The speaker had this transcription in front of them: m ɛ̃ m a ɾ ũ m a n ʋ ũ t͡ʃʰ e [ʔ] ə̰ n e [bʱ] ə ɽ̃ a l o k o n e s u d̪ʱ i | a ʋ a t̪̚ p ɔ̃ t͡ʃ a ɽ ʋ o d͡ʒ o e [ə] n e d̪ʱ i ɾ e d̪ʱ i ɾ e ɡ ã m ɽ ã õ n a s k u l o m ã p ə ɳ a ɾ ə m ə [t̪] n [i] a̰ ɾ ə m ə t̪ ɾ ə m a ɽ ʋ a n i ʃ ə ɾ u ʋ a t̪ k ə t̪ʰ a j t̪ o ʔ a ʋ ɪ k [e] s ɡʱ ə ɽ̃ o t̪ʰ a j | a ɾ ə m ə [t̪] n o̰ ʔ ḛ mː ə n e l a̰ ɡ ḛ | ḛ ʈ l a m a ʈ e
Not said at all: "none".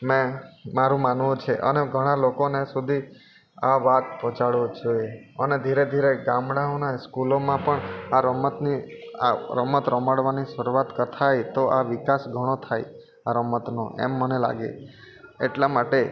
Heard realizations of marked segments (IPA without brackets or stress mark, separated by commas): ʔ, ɡʱ, ə, t̪, i, a, t̪